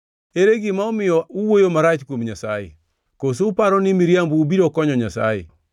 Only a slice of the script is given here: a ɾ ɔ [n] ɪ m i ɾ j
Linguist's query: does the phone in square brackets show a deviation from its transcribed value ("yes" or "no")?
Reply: no